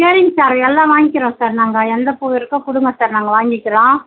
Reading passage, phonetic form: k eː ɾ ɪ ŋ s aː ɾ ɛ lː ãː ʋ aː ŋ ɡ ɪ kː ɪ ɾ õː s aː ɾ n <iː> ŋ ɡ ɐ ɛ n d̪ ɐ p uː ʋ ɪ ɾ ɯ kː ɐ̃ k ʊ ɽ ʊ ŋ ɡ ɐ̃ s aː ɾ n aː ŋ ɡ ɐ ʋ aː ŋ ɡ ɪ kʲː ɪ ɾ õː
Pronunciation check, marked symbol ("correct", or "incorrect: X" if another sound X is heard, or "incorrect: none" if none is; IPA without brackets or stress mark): incorrect: aː